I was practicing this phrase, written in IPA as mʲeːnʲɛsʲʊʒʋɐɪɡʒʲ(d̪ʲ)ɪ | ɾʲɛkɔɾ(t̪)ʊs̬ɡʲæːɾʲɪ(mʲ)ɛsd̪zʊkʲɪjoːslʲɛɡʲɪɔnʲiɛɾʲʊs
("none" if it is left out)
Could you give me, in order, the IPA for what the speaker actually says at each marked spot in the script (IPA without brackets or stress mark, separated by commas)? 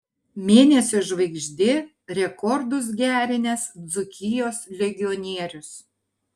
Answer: d̪ʲ, d̪, nʲ